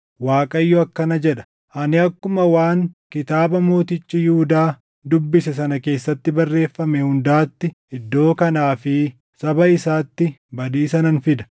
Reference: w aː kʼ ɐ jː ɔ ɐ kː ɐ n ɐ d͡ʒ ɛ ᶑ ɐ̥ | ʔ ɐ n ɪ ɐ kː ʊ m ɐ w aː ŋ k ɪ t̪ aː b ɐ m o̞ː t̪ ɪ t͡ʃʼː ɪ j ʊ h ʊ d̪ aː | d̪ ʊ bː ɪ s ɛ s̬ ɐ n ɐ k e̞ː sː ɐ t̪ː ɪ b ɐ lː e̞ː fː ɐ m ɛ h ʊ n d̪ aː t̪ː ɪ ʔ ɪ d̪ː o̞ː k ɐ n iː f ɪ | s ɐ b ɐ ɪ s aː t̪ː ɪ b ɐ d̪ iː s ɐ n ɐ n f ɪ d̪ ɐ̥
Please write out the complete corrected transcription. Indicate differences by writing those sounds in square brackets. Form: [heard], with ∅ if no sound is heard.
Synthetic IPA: w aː kʼ ɐ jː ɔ ɐ kː ɐ n ɐ d͡ʒ ɛ ᶑ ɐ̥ | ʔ ɐ n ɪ ɐ kː ʊ m ɐ w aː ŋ k ɪ t̪ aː b ɐ m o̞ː t̪ ɪ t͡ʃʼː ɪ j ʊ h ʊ d̪ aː | d̪ ʊ bː ɪ s ɛ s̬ ɐ n ɐ k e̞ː sː ɐ t̪ː ɪ b ɐ [rː] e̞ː fː ɐ m ɛ h ʊ n d̪ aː t̪ː ɪ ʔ ɪ d̪ː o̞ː k ɐ n [aː] f ɪ | s ɐ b ɐ ɪ s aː t̪ː ɪ b ɐ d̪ iː s ɐ n ɐ n f ɪ d̪ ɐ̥